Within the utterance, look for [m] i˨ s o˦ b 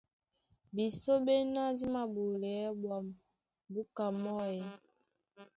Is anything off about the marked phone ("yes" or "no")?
yes